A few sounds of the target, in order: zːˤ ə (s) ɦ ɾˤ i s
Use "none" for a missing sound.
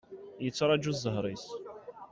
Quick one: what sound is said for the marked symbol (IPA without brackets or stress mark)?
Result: none